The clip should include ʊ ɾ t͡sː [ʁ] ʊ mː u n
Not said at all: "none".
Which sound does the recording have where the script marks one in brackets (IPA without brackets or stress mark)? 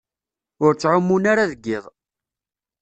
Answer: ʕ